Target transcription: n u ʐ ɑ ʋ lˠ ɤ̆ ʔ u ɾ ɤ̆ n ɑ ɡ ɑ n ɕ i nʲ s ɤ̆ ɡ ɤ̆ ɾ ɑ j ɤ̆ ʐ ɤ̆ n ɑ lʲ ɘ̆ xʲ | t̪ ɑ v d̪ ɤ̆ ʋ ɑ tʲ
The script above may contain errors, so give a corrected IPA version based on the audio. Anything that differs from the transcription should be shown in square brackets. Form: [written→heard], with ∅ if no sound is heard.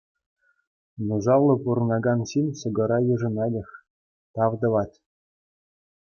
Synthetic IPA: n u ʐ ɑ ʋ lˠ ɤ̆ [ʔ→p] u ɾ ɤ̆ n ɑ ɡ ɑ n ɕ i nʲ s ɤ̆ ɡ ɤ̆ ɾ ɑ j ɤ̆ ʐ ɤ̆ n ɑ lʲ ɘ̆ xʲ | t̪ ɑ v d̪ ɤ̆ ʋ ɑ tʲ